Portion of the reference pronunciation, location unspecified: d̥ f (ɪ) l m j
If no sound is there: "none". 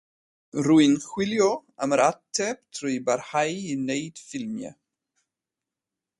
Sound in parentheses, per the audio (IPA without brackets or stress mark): ɪ